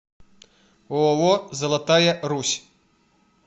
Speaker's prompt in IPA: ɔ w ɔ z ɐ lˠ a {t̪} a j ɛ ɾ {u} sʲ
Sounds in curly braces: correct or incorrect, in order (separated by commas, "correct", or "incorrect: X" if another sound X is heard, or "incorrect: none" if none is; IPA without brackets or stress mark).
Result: correct, correct